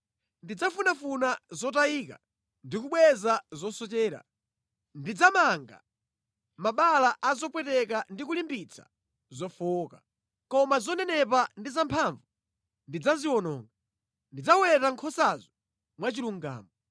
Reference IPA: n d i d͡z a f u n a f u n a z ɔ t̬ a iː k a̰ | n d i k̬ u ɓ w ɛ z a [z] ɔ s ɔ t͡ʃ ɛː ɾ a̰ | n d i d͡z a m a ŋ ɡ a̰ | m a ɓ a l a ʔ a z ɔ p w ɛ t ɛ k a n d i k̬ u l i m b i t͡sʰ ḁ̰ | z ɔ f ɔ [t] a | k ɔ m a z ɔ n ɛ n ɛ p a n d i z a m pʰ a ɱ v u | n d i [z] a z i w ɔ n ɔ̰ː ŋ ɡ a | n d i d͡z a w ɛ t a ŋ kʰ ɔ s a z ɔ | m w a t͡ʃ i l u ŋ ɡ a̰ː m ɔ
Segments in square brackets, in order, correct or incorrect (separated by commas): correct, incorrect, incorrect